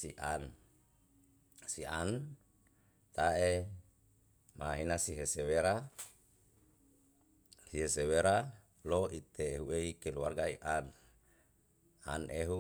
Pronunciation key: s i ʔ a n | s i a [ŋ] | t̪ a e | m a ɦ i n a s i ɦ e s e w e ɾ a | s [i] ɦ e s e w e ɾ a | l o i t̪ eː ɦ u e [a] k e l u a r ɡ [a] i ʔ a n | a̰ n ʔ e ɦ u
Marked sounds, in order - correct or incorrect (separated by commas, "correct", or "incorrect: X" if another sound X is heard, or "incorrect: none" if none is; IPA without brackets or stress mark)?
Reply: incorrect: n, correct, incorrect: i, correct